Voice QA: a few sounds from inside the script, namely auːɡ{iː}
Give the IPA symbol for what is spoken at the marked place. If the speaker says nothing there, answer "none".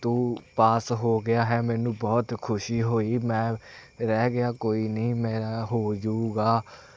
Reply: aː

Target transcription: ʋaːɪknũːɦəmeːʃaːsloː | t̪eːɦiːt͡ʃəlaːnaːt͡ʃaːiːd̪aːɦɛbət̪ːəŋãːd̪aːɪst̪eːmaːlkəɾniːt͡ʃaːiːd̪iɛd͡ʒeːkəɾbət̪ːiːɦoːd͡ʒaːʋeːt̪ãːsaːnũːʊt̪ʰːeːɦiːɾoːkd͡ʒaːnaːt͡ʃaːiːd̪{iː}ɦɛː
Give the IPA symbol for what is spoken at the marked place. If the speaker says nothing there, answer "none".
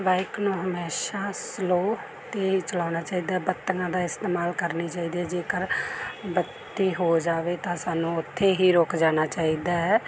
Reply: aː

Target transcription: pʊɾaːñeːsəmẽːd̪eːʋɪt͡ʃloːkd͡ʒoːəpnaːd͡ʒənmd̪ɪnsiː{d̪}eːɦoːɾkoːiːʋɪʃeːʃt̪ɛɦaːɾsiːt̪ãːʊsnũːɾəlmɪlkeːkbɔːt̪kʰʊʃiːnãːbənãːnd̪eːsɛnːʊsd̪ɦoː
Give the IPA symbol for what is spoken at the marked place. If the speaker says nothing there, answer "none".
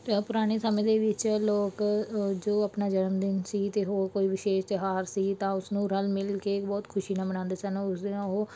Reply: t̪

